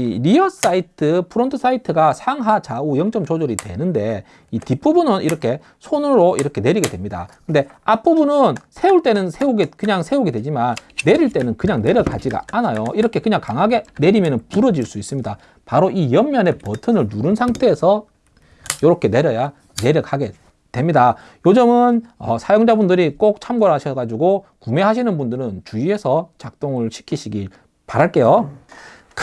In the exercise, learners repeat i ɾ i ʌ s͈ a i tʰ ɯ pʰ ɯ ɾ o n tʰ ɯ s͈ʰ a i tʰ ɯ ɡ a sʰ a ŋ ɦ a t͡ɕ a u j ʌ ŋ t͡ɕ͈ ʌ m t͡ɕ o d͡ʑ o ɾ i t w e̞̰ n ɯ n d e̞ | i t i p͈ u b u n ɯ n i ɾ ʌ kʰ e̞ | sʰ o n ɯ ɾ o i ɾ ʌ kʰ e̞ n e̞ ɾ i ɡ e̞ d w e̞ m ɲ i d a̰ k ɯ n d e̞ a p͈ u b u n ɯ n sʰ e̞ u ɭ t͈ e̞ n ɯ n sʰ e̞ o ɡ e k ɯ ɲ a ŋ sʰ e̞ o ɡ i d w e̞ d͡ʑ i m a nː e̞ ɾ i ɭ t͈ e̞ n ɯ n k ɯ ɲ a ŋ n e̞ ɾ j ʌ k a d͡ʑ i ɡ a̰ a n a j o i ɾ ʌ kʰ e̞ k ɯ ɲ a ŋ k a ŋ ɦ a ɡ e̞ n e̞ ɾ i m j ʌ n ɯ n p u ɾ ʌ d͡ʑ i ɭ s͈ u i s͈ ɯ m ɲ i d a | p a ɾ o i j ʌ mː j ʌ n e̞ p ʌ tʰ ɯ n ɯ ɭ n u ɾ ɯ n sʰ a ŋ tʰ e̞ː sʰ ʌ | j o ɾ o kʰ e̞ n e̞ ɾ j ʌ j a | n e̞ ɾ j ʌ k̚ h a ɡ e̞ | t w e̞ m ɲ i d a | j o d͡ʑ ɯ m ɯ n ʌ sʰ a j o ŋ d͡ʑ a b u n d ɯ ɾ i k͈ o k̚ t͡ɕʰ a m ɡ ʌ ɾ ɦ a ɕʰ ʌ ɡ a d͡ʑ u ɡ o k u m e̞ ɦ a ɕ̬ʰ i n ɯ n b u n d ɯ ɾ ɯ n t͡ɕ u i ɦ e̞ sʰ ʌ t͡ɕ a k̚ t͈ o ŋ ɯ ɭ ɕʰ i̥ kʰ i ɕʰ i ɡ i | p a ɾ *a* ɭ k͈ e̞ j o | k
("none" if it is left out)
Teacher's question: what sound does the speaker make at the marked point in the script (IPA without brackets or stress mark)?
a